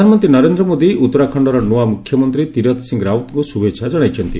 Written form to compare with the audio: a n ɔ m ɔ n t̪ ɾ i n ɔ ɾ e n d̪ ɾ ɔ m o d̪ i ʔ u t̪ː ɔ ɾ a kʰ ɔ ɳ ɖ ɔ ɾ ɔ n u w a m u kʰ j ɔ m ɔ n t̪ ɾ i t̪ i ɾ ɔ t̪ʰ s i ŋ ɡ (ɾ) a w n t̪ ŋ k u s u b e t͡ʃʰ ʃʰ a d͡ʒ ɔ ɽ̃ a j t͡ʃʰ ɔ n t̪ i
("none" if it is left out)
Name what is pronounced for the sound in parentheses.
ɾ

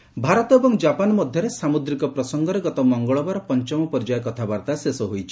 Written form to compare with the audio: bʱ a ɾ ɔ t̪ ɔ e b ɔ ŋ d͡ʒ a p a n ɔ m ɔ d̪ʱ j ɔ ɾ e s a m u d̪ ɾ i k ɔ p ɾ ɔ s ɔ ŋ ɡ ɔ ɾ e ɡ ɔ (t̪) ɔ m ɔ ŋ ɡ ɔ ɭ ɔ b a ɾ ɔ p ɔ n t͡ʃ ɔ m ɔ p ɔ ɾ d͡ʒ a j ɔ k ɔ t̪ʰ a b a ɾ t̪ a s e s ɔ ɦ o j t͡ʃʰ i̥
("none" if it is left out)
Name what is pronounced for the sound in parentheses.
t̪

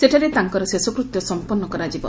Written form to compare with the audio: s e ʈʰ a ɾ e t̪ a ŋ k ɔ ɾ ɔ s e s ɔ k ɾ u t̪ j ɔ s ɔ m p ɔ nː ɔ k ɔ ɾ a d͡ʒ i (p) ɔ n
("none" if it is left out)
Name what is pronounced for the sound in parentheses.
b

